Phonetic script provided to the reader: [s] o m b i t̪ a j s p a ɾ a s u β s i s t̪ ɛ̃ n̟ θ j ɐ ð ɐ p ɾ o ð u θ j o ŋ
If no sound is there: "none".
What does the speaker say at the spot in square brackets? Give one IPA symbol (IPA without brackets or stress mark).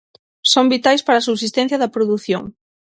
s